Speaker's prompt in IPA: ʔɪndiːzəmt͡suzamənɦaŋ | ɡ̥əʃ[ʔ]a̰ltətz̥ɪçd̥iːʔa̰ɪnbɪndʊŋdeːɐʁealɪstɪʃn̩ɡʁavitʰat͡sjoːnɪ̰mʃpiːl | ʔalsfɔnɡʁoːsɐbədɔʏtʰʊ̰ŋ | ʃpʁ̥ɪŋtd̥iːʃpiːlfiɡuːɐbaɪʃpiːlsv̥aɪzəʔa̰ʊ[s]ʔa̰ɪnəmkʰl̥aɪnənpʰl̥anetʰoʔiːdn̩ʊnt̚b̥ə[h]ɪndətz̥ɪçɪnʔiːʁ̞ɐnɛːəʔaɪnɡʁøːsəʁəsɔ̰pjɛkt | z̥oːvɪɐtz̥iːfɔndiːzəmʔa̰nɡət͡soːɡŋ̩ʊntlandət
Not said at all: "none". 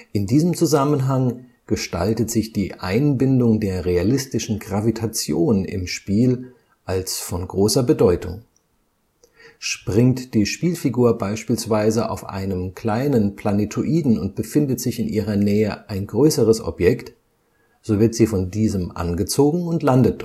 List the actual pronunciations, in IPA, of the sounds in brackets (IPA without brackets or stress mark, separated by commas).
t, f, f